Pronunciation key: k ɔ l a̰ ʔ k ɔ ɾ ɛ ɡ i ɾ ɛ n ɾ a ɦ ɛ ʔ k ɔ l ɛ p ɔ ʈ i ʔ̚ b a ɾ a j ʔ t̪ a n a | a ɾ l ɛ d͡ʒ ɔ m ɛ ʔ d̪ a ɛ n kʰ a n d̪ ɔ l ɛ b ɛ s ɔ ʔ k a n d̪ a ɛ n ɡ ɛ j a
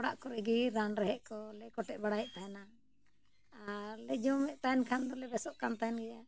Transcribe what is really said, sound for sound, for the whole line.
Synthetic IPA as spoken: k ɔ ɽ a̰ ʔ k ɔ ɾ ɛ ɡ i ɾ a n ɾ ɛ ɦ ɛ ʔ k ɔ l ɛ k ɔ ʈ ɛ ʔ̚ b a ɽ a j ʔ t̪ a n a | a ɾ l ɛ d͡ʒ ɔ m ɛ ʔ t̪ a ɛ n kʰ a n d̪ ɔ l ɛ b ɛ s ɔ ʔ k a n t̪ a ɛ n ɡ ɛ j a